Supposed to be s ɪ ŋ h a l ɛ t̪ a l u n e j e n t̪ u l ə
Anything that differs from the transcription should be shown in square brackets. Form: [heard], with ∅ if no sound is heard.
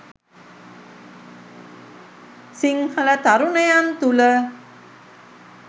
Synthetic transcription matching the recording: s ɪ ŋ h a l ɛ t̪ a [ɾ] u n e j [a] n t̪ u l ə